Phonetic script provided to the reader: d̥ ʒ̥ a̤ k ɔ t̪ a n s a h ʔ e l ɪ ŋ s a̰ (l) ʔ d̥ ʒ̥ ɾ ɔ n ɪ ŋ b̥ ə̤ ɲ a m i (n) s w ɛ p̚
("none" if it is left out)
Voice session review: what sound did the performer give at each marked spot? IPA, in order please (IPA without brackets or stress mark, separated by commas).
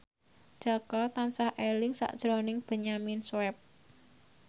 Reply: none, n